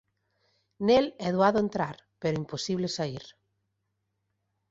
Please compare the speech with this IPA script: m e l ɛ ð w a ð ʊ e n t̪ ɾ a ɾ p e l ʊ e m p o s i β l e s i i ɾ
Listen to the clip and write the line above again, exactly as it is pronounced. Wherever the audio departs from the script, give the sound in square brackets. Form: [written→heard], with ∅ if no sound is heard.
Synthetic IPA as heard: [m→n] e l ɛ ð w a ð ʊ e n t̪ ɾ a ɾ p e [l→ɾ] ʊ [e→i] m p o s i β l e s [i→a] i ɾ